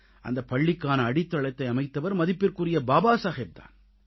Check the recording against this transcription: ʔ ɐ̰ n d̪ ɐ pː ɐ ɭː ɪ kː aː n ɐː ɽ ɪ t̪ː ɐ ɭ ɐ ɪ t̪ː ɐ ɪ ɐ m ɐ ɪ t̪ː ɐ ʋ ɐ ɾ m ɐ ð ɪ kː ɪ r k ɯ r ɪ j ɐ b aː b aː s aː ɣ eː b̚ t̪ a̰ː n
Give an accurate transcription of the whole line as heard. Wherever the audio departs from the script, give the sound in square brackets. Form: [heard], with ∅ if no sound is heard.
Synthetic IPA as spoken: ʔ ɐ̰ n d̪ ɐ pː ɐ ɭː ɪ kː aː n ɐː ɽ ɪ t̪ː ɐ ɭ ɐ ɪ t̪ː ɐ ɪ ɐ m ɐ ɪ t̪ː ɐ ʋ ɐ ɾ m ɐ ð ɪ [pː] ɪ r k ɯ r ɪ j ɐ b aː b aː s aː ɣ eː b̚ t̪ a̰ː n